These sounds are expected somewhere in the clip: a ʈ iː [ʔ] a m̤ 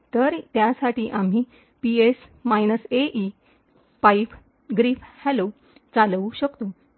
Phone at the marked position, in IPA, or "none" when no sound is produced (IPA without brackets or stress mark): ʔ